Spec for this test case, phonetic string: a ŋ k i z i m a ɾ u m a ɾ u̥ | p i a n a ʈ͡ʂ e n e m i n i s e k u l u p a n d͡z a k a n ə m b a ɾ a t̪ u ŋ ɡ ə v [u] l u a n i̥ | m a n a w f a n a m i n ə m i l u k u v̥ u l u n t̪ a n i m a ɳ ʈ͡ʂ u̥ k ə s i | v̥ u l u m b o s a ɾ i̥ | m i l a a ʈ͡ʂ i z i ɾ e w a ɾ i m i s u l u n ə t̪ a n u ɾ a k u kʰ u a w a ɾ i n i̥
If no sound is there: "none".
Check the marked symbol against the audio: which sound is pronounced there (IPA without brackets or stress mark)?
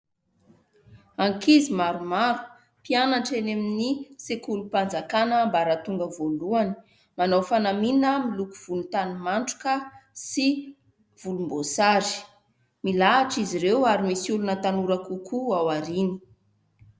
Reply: o